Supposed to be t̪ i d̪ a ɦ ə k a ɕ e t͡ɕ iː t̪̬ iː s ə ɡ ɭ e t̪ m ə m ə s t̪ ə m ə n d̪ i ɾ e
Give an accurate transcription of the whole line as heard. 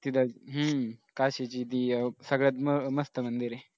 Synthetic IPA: t̪ i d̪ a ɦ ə k a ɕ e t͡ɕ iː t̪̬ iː s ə ɡ ɭ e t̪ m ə m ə s t̪ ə m ə n d̪ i ɾ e